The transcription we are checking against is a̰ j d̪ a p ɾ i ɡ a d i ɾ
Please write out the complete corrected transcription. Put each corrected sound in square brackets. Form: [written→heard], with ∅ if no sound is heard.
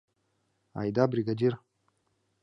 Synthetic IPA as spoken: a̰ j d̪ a [p→b] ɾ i ɡ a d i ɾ

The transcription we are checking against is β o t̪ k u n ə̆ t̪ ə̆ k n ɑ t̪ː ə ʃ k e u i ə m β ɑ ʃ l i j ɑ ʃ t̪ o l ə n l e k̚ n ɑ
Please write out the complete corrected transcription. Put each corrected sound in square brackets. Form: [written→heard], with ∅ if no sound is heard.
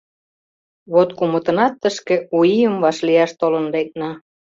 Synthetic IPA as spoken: β o t̪ k u [n→m] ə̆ t̪ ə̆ [k→∅] n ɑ t̪ː ə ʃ k e u i ə m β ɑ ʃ l i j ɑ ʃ t̪ o l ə n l e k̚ n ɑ

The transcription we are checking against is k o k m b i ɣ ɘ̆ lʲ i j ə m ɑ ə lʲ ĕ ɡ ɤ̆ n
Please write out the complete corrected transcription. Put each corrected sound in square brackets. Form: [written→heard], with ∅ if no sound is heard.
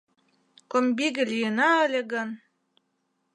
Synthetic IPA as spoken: k o [k→∅] m b i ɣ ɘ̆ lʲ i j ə [m→n] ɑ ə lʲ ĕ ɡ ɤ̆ n

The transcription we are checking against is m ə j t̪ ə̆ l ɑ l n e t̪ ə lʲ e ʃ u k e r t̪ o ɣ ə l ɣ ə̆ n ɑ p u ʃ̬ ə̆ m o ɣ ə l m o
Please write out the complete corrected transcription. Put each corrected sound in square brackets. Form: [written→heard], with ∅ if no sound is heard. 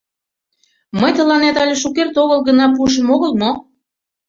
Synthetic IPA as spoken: m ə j t̪ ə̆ l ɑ [l→∅] n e t̪ [ə→ɑ] lʲ e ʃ u k e r t̪ o ɣ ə l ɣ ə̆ n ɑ p u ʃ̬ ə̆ m o ɣ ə l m o

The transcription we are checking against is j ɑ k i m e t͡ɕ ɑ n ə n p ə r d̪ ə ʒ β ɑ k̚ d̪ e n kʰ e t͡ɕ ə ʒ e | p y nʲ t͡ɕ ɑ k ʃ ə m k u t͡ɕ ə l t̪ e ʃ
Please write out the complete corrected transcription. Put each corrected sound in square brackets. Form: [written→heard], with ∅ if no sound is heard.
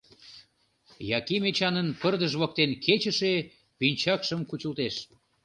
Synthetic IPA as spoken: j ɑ k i m e t͡ɕ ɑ n ə n p ə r d̪ ə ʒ β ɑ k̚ [d̪→t̪] e n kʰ e t͡ɕ ə [ʒ→ʃ] e | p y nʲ t͡ɕ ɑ k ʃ ə m k u t͡ɕ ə l t̪ e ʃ

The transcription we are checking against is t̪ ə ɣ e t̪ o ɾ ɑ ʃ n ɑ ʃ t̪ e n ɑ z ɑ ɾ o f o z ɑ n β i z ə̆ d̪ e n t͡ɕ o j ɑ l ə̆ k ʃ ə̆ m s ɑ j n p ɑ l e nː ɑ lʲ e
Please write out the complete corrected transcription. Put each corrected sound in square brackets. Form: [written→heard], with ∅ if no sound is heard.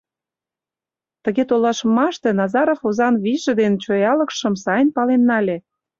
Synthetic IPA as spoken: t̪ ə ɣ e t̪ o [ɾ→l] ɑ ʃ [n→m] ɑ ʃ t̪ e n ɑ z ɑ ɾ o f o z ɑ n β i [z→ʒ] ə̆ d̪ e n t͡ɕ o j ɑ l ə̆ k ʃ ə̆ m s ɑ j n p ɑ l e nː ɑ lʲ e

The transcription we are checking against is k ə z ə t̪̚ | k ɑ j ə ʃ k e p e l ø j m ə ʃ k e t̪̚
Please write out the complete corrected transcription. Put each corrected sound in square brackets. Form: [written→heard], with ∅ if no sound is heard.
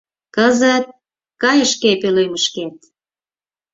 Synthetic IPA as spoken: k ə z ə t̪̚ | k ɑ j ə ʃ k e p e l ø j m ə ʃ k e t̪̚

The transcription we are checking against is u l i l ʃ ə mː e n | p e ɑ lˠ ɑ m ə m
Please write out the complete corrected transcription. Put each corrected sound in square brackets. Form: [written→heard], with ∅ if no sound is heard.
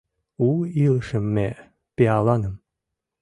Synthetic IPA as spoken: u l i l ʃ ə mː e [n→∅] | p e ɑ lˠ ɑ [m→n] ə m

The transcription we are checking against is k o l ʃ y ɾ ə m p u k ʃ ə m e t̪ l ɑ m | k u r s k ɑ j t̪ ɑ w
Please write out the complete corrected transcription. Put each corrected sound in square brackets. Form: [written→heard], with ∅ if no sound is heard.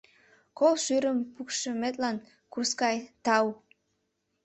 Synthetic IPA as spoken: k o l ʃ y ɾ ə m p u k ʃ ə m e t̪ l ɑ [m→n] | k u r s k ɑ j t̪ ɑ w

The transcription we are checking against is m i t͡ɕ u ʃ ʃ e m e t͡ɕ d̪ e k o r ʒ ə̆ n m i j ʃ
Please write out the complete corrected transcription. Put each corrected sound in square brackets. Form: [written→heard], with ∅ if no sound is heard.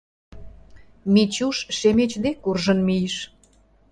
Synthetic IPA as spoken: m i t͡ɕ u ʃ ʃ e m e t͡ɕ d̪ e k [o→u] r ʒ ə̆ n m i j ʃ

